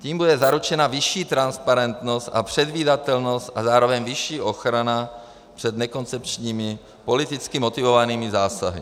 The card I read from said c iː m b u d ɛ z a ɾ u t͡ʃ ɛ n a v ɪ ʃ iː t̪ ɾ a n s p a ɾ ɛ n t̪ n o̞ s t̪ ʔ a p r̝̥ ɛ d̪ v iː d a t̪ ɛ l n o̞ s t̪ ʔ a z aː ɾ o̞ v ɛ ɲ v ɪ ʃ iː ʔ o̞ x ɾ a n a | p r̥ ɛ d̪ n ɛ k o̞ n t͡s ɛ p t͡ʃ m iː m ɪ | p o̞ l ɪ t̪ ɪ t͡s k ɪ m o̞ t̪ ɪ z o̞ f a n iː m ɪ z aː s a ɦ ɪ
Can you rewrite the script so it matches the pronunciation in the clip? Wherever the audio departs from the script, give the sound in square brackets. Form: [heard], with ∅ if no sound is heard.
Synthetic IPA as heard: c iː m b u d ɛ z a ɾ u t͡ʃ ɛ n a v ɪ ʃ iː t̪ ɾ a n s p a ɾ ɛ n t̪ n o̞ s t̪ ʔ a p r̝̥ ɛ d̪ v iː d a t̪ ɛ l n o̞ s t̪ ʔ a z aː ɾ o̞ v ɛ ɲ v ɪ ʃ iː ʔ o̞ x ɾ a n a | p r̥ ɛ d̪ n ɛ k o̞ n t͡s ɛ p t͡ʃ [ɲ] iː m ɪ | p o̞ l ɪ t̪ ɪ t͡s k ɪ m o̞ t̪ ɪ [v] o̞ [v] a n iː m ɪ z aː s a ɦ ɪ